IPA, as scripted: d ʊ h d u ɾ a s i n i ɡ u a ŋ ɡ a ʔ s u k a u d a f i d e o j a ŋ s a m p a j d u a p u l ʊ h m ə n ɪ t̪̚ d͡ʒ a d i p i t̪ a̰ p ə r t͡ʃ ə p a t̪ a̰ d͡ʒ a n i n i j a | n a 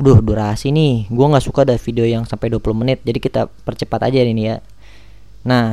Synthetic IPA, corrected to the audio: d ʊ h d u ɾ a s i n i ɡ u a ŋ ɡ a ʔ s u k a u d a f i d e o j a ŋ s a m p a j d u a p u l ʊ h m ə n ɪ t̪̚ d͡ʒ a d i k i t̪ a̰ p ə r t͡ʃ ə p a t̪ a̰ d͡ʒ a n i n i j a | n a